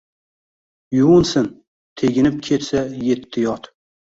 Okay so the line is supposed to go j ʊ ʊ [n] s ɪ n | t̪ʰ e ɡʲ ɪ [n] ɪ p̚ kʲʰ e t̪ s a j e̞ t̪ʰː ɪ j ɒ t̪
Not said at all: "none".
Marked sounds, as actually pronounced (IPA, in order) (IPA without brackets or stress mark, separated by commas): n, n